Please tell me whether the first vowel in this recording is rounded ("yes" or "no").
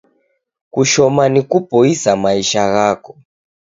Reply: yes